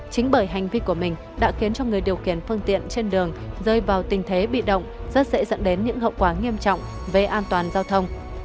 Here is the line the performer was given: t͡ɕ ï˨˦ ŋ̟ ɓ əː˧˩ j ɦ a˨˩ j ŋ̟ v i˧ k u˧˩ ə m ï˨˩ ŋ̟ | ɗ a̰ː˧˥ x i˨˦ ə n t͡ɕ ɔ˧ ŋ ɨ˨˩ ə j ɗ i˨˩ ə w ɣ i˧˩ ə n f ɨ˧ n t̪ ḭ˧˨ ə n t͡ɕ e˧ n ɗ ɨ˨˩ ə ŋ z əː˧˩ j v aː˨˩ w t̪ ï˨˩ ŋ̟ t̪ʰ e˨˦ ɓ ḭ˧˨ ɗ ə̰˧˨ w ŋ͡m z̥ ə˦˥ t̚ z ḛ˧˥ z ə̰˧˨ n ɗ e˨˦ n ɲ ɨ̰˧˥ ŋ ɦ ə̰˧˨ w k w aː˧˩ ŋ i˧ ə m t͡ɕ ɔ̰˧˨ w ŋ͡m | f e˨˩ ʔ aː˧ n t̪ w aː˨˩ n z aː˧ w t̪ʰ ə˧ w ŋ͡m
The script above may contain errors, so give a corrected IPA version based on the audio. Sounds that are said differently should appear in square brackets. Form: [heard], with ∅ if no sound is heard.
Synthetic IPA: t͡ɕ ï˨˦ ŋ̟ ɓ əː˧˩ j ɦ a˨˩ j ŋ̟ v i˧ k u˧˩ ə m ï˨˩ ŋ̟ | ɗ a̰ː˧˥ x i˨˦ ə n t͡ɕ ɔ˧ ŋ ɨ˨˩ ə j ɗ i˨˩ ə w [x] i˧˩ ə n f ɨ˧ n t̪ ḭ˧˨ ə n t͡ɕ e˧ n ɗ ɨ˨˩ ə ŋ z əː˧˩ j v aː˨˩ w t̪ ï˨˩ ŋ̟ t̪ʰ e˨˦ ɓ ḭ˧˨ ɗ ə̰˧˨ w ŋ͡m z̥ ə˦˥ t̚ z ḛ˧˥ z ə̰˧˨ n ɗ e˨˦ n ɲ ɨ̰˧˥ ŋ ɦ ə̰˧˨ w k w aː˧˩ ŋ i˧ ə m t͡ɕ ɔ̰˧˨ w ŋ͡m | [v] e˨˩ ʔ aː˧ n t̪ w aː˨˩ n z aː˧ w t̪ʰ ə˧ w ŋ͡m